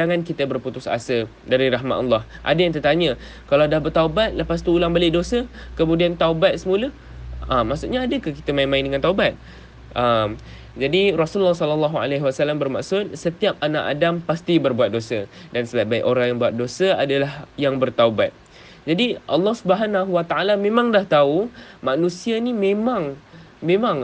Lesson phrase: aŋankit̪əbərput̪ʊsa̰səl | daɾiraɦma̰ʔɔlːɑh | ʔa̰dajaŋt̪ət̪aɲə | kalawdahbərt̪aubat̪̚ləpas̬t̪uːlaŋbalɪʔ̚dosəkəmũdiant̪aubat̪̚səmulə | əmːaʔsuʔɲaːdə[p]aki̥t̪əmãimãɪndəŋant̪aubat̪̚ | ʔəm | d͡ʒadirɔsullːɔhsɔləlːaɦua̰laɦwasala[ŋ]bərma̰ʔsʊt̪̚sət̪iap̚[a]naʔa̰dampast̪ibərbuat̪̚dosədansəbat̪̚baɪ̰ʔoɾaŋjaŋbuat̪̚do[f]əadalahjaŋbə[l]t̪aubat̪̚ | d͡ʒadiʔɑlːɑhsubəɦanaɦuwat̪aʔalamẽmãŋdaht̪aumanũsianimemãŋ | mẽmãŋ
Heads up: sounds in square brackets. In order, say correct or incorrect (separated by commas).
incorrect, incorrect, correct, incorrect, incorrect